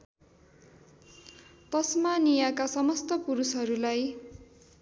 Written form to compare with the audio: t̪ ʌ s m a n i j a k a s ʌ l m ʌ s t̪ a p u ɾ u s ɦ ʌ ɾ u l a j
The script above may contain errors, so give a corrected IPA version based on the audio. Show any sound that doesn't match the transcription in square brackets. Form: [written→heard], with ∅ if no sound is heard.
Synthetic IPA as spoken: t̪ ʌ s m a n i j a k a s ʌ [l→∅] m ʌ s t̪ [a→ʌ] p u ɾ u s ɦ ʌ ɾ u l a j